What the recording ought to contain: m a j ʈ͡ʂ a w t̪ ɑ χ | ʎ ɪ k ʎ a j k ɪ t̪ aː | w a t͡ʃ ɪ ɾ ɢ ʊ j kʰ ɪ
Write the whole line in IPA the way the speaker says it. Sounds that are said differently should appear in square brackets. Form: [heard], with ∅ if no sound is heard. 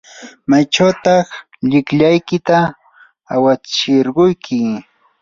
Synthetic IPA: m a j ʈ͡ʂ a w t̪ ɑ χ | ʎ ɪ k ʎ a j k ɪ t̪ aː | w a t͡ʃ ɪ ɾ ɢ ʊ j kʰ ɪ